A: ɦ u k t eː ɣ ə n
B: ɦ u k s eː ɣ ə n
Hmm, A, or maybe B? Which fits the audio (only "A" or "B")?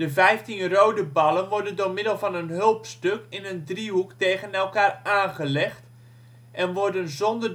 A